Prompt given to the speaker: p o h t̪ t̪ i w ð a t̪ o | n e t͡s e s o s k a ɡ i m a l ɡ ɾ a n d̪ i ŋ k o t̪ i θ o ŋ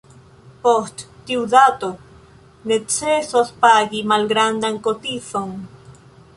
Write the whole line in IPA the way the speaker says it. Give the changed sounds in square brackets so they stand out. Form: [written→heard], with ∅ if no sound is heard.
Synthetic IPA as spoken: p o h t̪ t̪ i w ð a t̪ o | n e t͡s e s o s [k→p] a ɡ i m a l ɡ ɾ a n d̪ [i→a] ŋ k o t̪ i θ o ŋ